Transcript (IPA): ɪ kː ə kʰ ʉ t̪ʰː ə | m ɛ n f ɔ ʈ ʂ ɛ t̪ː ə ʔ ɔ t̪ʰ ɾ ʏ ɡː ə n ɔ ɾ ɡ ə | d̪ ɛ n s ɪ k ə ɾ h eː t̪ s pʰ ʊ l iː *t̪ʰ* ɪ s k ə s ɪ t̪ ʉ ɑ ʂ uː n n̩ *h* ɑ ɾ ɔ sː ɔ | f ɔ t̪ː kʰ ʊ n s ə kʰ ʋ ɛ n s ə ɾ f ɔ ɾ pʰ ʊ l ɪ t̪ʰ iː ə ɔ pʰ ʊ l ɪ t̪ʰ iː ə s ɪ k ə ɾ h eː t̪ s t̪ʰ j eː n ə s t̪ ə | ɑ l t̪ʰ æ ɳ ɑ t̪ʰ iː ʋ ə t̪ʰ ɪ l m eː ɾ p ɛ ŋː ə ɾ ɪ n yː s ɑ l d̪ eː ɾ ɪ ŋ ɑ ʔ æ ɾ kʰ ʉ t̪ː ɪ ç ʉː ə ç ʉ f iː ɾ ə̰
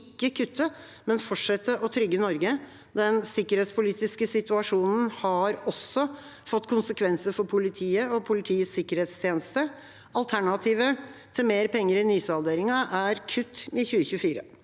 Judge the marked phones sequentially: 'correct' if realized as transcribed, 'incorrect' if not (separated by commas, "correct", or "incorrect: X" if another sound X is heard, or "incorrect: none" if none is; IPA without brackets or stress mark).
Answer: incorrect: t̪, correct